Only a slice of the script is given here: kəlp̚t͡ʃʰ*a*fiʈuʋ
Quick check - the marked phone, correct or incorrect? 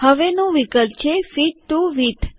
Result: incorrect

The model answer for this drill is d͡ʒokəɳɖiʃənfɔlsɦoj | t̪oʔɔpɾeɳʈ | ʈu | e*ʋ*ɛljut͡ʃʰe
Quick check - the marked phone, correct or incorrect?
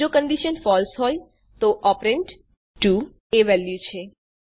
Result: correct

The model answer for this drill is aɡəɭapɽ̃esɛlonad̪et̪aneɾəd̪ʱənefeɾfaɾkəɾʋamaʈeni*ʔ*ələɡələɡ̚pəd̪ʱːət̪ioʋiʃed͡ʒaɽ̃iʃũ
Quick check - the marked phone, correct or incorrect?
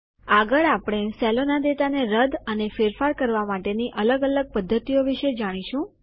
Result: correct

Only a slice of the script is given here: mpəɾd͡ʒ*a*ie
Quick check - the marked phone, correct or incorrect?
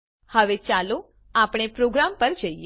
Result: incorrect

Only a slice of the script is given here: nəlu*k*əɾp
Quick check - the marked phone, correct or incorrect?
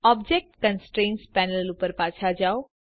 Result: incorrect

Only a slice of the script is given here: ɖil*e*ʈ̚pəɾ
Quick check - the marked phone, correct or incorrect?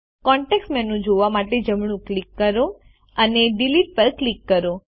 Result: incorrect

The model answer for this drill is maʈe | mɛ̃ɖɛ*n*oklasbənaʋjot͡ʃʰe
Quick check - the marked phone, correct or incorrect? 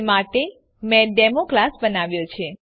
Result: incorrect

